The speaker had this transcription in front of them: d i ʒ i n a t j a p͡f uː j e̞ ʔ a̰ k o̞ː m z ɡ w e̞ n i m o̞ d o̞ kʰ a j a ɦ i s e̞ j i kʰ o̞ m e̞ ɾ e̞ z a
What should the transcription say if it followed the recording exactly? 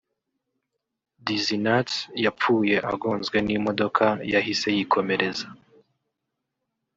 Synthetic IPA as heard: d i z i n a t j a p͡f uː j e̞ ʔ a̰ ɡ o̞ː n z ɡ w e̞ n i m o̞ d o̞ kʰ a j a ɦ i s e̞ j i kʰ o̞ m e̞ ɾ e̞ z a

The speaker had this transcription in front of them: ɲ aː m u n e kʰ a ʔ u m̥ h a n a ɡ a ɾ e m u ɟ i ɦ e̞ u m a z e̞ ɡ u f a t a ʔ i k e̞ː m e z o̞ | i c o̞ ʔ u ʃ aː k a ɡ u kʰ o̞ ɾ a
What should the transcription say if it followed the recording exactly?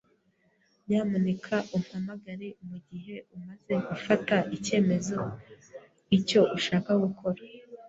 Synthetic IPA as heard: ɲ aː m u n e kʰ a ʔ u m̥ h a m a ɡ a ɾ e m u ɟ i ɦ e̞ u m a z e̞ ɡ u f a t a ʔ i c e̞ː m e z o̞ | i c o̞ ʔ u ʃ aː k a ɡ u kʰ o̞ ɾ a

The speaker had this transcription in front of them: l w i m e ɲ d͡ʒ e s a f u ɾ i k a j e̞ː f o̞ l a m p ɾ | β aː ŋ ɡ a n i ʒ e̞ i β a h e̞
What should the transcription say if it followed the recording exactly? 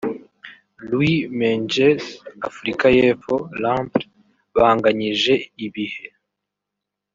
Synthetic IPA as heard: l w i m e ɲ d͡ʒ e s a f u ɾ i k a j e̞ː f o̞ l a m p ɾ | β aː ŋ ɡ a ɲ i ʒ e̞ i β i h e̞

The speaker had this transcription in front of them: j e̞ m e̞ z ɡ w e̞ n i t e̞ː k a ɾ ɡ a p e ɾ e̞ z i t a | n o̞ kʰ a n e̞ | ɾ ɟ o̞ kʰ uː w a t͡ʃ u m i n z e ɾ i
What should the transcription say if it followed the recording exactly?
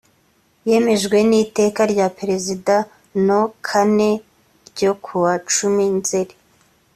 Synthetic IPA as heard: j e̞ m e̞ ʒ ɡ w e̞ n i t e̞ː k a ɾ ɟ a p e ɾ e̞ z i d a | n o̞ kʰ a n e̞ | ɾ ɟ o̞ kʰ u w a t͡ʃ u m i n z e ɾ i

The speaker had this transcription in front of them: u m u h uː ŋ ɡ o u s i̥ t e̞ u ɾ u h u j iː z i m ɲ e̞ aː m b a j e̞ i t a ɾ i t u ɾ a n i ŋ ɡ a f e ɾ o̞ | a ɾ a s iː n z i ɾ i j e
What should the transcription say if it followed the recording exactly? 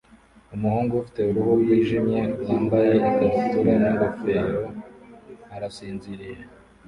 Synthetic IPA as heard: u m u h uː ŋ ɡ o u f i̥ t e̞ u ɾ u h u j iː ʒ i m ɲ e̞ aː m b a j e̞ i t a ɾ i t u ɾ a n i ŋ ɡ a f e ɾ o̞ | a ɾ a s iː n z i ɾ i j e

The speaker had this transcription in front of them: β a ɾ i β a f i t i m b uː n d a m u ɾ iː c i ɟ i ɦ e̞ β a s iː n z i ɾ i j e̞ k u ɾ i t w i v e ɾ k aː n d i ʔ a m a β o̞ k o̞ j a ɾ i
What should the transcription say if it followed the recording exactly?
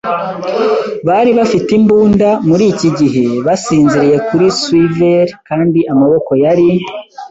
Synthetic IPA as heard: β a ɾ i β a f i t i m b uː n d a m u ɾ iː c i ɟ i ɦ e̞ β a s iː n z i ɾ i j e̞ k u ɾ i s w i v e ɾ k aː n d i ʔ a m a β o̞ k o̞ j a ɾ i

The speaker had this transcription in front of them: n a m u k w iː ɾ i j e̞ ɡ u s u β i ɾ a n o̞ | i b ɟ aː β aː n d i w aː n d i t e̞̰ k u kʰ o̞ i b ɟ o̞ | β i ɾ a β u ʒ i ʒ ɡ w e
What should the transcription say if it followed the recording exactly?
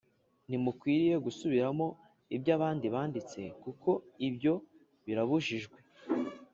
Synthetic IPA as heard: n i m u k w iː ɾ i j e̞ ɡ u s u β i ɾ a m o̞ | i b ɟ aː β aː n d i β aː n d i t͡s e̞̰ k u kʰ o̞ i b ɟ o̞ | β i ɾ a β u ʒ i ʒ ɡ w e

